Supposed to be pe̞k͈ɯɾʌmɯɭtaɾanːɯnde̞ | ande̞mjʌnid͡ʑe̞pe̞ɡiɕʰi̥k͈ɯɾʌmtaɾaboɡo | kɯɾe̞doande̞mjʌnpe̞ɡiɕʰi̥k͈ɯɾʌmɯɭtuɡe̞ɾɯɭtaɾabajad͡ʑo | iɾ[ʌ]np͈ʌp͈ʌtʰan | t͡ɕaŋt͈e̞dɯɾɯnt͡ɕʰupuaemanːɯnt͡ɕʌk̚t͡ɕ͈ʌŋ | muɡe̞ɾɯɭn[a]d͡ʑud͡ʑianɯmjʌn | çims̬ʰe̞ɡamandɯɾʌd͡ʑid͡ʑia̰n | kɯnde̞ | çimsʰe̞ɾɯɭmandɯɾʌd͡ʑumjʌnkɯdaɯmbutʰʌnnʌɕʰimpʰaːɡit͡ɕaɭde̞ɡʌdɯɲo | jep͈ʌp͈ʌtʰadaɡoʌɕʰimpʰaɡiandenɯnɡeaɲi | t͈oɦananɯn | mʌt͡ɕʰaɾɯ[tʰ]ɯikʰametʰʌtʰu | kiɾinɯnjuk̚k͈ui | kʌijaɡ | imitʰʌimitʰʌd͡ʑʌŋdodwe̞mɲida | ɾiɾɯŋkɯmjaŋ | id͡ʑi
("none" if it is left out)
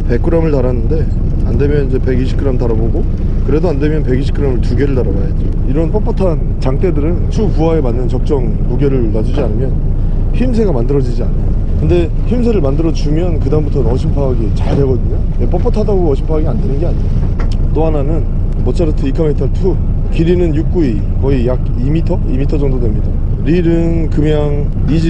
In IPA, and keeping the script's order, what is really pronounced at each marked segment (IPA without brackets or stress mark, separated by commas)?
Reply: ʌ, a, tʰ